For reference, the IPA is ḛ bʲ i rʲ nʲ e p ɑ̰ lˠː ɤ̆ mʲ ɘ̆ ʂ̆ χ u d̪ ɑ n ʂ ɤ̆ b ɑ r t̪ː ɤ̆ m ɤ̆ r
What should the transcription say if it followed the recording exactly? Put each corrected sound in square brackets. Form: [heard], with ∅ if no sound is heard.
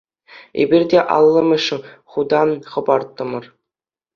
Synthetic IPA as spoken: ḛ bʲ i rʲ [dʲ] e [ʔ] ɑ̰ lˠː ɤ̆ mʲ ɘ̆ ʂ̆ χ u d̪ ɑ n [χ] ɤ̆ b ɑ r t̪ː ɤ̆ m ɤ̆ r